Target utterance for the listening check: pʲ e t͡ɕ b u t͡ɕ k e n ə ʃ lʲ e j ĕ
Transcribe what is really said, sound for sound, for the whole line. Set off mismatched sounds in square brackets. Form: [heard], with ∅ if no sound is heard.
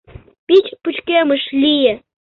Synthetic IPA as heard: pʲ [i] t͡ɕ [p] u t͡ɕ k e [m] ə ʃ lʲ [i] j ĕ